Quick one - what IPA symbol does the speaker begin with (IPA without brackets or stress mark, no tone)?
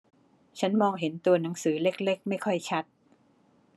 t͡ɕʰ